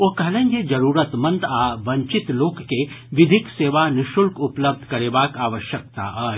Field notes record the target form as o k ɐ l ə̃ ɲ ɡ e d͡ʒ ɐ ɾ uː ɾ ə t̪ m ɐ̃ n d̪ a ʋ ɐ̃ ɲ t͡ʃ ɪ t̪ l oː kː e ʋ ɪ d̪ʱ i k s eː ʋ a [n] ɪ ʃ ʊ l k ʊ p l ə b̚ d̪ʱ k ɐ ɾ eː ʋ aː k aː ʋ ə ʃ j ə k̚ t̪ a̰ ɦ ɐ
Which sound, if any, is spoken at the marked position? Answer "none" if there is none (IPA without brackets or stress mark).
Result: n